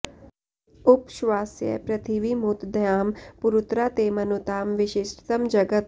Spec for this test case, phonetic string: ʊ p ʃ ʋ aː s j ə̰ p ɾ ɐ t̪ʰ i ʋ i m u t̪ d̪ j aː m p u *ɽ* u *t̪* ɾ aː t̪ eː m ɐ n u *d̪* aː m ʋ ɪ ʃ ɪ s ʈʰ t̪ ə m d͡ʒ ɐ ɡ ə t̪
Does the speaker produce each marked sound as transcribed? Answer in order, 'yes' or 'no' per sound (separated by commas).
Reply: no, yes, no